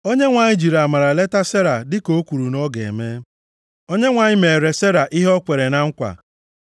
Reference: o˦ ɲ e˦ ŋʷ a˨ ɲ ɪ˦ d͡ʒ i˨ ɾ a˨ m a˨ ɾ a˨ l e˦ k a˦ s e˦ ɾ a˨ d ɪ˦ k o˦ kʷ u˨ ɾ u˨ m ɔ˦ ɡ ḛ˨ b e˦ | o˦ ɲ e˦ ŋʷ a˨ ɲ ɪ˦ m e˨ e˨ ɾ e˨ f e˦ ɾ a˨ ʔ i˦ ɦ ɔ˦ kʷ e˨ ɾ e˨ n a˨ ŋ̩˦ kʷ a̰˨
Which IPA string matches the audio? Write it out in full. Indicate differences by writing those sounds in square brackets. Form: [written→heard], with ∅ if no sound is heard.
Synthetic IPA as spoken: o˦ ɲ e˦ ŋʷ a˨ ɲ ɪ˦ d͡ʒ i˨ ɾ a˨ m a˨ ɾ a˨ l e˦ [k→t] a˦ s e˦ ɾ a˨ d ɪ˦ k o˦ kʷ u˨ ɾ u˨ [m→n] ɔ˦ ɡ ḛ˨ [b→m] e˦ | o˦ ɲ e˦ ŋʷ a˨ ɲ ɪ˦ m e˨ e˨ ɾ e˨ [f→s] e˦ ɾ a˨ ʔ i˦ ɦ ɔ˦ kʷ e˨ ɾ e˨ n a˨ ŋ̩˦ kʷ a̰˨